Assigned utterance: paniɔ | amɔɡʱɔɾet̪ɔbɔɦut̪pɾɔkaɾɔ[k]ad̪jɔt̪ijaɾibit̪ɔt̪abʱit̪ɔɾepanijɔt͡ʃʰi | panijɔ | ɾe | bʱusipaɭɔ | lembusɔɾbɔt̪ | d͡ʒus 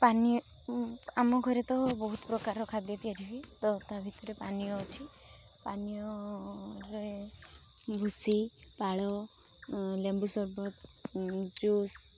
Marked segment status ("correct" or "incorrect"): incorrect